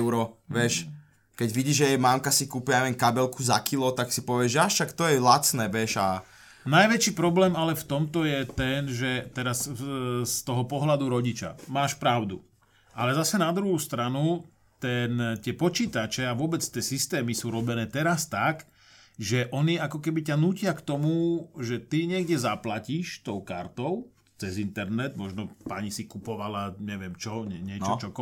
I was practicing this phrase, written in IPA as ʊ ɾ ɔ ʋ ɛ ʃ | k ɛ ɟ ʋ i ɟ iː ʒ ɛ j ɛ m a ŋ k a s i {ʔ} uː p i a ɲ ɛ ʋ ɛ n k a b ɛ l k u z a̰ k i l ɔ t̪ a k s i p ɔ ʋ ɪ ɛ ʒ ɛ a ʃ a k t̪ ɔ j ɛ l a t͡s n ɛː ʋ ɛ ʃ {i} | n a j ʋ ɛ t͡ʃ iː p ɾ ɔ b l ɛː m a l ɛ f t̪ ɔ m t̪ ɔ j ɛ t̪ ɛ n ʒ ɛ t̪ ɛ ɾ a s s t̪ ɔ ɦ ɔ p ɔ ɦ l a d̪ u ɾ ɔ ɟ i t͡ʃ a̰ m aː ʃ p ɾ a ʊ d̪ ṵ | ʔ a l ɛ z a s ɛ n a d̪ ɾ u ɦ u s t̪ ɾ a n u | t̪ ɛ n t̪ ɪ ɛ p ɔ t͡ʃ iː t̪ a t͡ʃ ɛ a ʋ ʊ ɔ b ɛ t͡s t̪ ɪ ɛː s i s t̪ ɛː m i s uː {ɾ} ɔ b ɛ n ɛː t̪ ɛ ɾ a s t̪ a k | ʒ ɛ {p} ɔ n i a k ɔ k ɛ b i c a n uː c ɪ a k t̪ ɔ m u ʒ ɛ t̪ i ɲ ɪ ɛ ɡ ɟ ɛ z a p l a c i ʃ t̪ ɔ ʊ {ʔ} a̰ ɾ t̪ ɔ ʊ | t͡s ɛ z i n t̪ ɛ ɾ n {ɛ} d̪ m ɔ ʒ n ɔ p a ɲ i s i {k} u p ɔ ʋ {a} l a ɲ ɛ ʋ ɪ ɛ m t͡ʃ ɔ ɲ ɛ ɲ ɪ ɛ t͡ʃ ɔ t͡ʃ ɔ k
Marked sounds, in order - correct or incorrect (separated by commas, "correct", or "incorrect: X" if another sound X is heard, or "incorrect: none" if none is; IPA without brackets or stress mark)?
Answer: incorrect: k, incorrect: a, correct, incorrect: ʔ, incorrect: k, correct, correct, correct